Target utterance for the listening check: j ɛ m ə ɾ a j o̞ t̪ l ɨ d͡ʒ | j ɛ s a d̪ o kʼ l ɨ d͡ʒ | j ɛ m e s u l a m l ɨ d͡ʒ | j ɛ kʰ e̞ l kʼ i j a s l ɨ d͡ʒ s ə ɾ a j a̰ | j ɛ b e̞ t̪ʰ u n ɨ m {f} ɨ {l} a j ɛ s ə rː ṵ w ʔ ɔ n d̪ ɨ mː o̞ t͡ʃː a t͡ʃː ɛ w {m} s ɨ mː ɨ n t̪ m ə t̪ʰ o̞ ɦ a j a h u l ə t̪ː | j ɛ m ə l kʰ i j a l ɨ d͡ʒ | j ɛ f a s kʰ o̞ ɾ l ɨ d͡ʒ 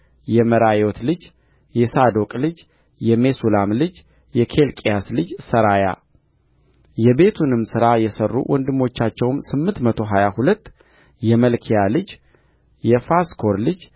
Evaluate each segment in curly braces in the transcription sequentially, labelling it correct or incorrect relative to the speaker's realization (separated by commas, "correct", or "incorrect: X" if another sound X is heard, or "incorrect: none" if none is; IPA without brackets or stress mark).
incorrect: s, incorrect: ɾ, correct